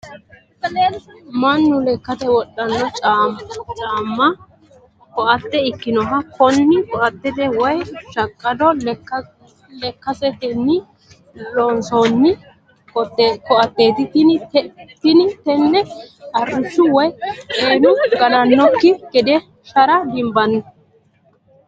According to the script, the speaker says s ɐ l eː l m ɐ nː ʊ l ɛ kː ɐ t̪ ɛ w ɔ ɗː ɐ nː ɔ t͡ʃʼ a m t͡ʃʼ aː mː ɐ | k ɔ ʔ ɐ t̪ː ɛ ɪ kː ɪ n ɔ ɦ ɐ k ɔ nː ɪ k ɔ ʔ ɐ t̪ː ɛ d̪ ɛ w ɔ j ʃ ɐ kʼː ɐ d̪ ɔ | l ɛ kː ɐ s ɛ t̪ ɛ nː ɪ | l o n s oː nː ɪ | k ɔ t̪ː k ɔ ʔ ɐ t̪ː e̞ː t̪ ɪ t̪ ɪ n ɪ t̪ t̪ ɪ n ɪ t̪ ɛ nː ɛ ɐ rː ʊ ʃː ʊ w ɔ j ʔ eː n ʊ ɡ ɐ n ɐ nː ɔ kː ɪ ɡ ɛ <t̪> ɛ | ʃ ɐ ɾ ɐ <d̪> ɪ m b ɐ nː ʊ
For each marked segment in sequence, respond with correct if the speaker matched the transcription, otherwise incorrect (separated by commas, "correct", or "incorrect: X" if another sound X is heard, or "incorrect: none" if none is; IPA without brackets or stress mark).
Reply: incorrect: d̪, correct